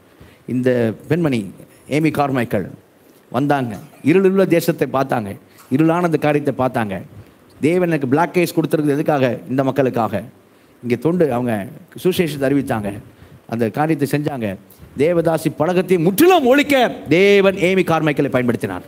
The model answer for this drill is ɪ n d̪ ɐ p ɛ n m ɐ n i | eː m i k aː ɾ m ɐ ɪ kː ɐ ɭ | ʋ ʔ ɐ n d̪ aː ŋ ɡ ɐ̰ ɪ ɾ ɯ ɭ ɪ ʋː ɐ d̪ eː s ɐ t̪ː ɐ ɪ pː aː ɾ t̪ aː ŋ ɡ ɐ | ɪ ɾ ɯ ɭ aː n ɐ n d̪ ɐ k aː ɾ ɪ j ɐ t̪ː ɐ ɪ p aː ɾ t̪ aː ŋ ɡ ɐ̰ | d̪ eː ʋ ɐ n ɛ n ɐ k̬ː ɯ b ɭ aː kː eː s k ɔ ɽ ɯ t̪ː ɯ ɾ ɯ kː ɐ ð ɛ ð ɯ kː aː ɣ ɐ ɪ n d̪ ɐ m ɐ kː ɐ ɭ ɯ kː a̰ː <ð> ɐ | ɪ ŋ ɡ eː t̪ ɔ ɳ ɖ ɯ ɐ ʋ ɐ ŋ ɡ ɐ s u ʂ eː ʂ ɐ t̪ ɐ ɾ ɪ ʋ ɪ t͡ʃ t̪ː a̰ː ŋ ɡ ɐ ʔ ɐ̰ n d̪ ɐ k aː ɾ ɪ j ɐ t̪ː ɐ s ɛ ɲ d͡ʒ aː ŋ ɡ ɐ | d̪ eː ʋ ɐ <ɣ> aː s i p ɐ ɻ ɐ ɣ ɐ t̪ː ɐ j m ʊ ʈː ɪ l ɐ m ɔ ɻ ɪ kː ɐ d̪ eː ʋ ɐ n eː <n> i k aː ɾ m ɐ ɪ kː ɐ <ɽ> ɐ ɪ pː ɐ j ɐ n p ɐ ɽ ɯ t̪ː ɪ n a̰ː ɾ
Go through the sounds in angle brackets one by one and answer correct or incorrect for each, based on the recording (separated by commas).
incorrect, incorrect, incorrect, incorrect